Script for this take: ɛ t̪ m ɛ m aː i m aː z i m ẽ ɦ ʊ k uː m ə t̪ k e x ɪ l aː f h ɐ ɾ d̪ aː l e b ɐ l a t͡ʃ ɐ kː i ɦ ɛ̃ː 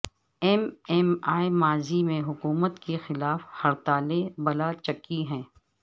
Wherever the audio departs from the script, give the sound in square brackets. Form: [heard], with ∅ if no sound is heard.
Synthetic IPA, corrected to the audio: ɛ [∅] m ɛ m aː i m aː z i m ẽ ɦ ʊ k uː m ə t̪ k e x ɪ l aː f h ɐ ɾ [t̪] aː l e b ɐ l a t͡ʃ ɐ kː i ɦ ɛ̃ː